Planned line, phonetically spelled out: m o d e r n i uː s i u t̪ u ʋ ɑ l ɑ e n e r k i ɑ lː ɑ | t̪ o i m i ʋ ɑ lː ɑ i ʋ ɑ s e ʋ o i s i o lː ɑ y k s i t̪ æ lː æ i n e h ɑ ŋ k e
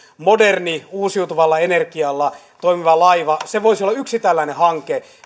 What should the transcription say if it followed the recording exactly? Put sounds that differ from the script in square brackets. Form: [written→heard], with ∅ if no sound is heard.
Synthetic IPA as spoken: m o d e r n i uː s i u t̪ u ʋ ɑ [l→lː] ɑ e n e r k i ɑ lː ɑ | t̪ o i m i ʋ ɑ [lː→l] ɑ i ʋ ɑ s e ʋ o i s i o lː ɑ y k s i t̪ æ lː æ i n e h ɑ ŋ k e